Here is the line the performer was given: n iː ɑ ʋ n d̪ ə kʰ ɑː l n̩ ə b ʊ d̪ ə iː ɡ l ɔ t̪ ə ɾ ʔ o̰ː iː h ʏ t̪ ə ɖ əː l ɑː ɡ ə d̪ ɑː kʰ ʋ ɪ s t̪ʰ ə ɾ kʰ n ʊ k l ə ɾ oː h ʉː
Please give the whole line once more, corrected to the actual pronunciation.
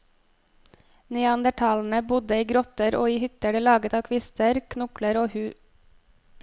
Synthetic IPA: n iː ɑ n d̪ ə ʈʰ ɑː l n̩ ə b ʊ d̪ ə iː ɡ ɾ ɔ t̪ ə ɾ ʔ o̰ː iː h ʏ t̪ ə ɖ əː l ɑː ɡ ə t̪ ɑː kʰ ʋ ɪ s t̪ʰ ə ɾ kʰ n ʊ k l ə ɾ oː h ʉː